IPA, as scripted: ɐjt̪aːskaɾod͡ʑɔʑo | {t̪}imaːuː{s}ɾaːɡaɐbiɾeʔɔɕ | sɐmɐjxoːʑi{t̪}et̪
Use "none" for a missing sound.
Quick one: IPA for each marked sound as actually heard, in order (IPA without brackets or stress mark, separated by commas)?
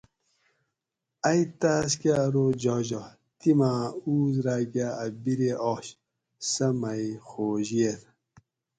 t̪, z, none